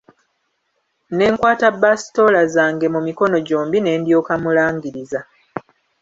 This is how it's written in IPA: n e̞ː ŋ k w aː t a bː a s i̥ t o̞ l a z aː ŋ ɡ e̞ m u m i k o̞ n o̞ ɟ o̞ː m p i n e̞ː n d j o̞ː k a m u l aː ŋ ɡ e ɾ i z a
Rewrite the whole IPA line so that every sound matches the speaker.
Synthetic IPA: n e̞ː ŋ k w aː t a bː a s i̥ t o̞ l a z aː ŋ ɡ e̞ m u m i k o̞ n o̞ ɟ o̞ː m b i n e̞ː n d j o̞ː k a m u l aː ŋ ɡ i ɾ i z a